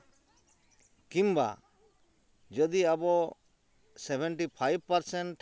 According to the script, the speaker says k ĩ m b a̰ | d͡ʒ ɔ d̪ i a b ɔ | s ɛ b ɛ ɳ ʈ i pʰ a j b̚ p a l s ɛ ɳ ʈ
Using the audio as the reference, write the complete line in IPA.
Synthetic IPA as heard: k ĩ m b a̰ | d͡ʒ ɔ d̪ i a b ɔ | s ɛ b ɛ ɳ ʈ i pʰ a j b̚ p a ɾ s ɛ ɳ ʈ